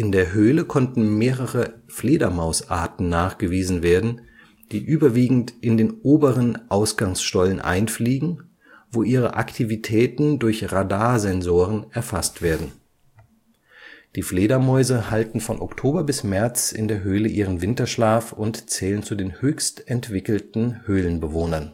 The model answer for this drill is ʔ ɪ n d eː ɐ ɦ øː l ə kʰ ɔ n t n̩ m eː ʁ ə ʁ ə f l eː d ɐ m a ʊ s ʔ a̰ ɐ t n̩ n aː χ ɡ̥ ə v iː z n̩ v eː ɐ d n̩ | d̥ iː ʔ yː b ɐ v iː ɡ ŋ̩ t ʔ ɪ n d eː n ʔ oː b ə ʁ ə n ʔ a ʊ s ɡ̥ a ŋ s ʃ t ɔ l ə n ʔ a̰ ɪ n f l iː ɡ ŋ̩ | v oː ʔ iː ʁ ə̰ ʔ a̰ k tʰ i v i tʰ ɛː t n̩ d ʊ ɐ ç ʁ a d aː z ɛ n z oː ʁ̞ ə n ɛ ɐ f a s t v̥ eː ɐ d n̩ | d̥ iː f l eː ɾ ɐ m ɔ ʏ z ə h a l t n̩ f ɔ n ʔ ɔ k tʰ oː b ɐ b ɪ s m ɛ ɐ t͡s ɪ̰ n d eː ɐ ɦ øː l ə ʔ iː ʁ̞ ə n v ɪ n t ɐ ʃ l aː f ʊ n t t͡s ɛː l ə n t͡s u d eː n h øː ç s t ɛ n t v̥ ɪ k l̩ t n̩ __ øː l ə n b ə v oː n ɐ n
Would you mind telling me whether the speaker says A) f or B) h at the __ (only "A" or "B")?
B